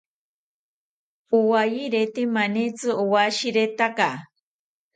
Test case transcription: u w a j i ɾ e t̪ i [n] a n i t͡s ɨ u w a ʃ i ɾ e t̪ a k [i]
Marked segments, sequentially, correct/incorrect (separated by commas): incorrect, incorrect